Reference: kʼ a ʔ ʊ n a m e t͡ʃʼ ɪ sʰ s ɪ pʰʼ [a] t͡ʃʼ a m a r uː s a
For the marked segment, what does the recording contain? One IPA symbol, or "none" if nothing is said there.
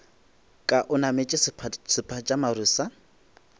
a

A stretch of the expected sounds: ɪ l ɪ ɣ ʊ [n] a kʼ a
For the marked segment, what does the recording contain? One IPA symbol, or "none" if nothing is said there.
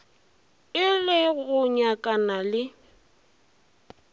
ɲ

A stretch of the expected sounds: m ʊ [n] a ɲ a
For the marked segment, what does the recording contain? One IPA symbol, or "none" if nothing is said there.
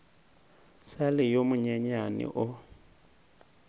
ɲ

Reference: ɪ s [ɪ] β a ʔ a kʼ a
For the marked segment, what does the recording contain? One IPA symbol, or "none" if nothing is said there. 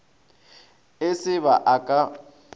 ɪ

